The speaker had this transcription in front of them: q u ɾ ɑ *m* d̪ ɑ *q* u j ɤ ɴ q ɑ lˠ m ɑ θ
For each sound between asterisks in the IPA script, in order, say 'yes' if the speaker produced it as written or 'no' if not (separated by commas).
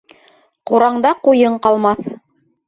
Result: no, yes